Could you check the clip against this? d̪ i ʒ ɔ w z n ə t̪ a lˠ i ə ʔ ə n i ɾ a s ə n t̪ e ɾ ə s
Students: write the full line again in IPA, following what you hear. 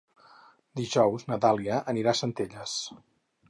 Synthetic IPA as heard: d̪ i ʒ ɔ w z n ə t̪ a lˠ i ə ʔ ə n i ɾ a s ə n t̪ e ʎ ə s